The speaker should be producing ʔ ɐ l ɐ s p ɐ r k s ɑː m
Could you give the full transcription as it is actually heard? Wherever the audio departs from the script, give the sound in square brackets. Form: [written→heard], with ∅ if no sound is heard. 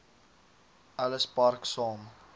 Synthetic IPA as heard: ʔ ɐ l [ɐ→ə] s p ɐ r k s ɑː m